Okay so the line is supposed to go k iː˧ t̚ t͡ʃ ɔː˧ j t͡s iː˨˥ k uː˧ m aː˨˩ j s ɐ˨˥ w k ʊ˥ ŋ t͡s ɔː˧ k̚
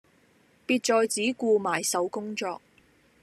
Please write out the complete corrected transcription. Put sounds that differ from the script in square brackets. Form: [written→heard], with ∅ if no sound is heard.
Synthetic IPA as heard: [k→p] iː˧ t̚ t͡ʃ ɔː˧ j t͡s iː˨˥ k uː˧ m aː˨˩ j s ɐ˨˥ w k ʊ˥ ŋ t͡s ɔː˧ k̚